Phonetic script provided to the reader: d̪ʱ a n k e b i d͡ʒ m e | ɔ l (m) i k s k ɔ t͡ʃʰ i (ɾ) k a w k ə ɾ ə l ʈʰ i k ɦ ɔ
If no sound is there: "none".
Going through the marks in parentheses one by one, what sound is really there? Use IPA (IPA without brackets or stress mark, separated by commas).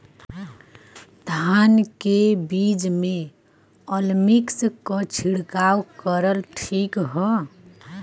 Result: m, ɽ